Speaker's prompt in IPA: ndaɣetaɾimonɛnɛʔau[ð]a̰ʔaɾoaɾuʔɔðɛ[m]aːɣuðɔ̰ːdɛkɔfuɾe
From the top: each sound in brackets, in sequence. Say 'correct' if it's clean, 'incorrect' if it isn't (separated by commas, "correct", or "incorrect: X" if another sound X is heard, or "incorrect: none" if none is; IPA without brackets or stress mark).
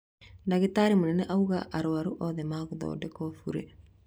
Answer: incorrect: ɣ, correct